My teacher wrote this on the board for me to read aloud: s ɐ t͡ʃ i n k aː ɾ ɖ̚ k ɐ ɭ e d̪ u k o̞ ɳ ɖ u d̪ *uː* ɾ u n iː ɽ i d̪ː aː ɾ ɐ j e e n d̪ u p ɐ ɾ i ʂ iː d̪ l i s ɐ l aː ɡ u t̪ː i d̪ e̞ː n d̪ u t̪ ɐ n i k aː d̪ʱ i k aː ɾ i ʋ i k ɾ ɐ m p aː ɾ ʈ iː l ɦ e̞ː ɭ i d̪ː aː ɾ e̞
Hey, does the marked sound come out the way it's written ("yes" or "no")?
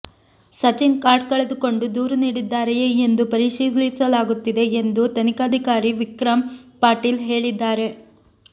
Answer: yes